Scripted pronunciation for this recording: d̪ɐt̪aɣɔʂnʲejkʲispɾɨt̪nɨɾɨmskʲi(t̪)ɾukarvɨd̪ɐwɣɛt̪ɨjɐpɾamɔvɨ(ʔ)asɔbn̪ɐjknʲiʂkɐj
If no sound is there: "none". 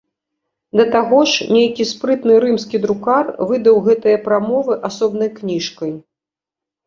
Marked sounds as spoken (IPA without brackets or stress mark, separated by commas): d̪, ʔ